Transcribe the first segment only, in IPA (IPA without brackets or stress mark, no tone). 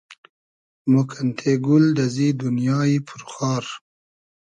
m